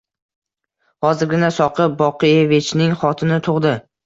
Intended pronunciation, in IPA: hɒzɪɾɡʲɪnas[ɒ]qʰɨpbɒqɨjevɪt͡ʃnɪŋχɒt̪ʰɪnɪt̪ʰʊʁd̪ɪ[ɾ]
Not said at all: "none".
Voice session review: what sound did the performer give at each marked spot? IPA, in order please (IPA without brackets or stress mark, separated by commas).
ɒ, none